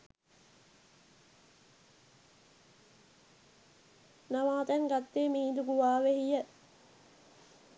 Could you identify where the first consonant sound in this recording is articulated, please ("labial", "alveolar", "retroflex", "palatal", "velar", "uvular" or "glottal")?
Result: alveolar